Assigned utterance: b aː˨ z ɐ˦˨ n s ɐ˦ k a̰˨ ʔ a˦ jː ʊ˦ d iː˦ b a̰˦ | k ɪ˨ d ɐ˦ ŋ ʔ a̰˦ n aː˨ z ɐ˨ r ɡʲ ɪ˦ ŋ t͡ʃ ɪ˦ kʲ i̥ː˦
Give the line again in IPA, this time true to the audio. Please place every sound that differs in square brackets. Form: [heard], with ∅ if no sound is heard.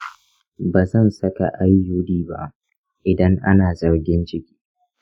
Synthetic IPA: b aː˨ z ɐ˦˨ n s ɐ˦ k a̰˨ ʔ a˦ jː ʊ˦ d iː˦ b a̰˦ | [ʔ] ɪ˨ d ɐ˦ ŋ ʔ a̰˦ n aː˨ z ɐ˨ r ɡʲ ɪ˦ [n] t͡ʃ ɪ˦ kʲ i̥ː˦